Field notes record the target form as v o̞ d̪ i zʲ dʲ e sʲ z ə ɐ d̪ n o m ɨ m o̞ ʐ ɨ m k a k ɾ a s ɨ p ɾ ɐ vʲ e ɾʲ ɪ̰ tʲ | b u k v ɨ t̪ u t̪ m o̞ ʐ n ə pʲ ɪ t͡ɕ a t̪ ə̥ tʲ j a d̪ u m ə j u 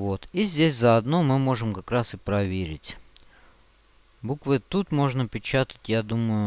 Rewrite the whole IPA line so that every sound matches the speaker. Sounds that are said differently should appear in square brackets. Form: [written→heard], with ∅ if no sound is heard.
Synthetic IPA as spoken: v o̞ [d̪→t̪] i zʲ dʲ e sʲ z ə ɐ d̪ n o m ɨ m o̞ ʐ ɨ m k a k ɾ a s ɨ p ɾ ɐ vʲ e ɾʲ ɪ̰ tʲ | b u k v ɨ t̪ u t̪ m o̞ ʐ n ə pʲ ɪ t͡ɕ a t̪ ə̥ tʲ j a d̪ u m ə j [u→ʊ]